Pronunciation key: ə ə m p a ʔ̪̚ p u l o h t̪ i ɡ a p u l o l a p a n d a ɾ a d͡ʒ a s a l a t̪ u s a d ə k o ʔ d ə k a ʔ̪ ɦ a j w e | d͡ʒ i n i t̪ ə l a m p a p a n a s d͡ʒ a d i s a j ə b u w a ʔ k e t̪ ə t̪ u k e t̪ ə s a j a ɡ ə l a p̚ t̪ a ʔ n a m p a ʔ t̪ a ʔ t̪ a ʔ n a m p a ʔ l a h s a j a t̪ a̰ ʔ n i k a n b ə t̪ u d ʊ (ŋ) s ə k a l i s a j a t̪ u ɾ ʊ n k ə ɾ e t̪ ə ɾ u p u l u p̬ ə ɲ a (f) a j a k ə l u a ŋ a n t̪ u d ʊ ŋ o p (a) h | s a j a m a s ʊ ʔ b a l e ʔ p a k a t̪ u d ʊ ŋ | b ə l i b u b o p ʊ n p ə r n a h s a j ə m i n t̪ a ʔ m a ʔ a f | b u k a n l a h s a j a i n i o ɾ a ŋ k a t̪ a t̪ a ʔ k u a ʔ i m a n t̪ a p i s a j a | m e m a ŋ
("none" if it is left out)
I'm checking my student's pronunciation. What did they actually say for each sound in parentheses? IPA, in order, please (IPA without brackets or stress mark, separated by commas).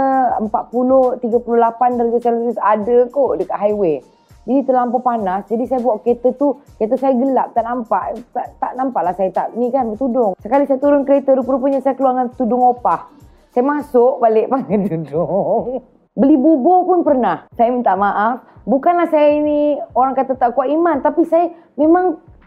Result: ŋ, s, a